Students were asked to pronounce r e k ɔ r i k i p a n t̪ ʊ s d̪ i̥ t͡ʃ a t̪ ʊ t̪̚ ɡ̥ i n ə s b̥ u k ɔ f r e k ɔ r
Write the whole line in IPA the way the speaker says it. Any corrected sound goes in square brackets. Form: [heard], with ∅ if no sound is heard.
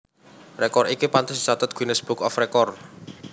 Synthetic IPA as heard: r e k ɔ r i k i p a n t̪ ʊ s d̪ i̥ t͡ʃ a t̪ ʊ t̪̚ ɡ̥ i n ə s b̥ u k ɔ f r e k ɔ r